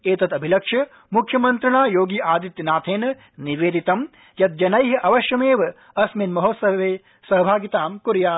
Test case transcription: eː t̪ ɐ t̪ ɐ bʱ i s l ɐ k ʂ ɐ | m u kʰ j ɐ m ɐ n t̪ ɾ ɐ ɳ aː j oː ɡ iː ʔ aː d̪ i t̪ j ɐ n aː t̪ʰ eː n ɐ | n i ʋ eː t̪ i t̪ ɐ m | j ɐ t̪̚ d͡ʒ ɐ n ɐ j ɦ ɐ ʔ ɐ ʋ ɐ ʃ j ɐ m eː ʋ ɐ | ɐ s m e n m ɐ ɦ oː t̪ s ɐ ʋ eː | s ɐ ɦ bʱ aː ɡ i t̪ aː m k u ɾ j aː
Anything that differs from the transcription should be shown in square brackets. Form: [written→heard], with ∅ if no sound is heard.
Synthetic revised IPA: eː t̪ ɐ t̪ ɐ bʱ i [s→∅] l ɐ k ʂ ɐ | m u kʰ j ɐ m ɐ n t̪ ɾ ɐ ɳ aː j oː ɡ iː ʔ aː d̪ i t̪ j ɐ n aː t̪ʰ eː n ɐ | n i ʋ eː [t̪→d̪] i t̪ ɐ m | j ɐ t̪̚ d͡ʒ ɐ n ɐ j ɦ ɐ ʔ ɐ ʋ ɐ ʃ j ɐ m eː ʋ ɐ | ɐ s m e n m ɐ ɦ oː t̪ s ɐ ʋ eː | s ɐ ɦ bʱ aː ɡ i t̪ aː m k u ɾ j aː